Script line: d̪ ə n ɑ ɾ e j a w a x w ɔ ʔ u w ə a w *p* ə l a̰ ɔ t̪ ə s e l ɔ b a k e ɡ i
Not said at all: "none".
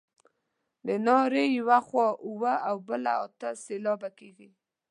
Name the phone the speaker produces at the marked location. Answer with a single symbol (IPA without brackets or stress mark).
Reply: b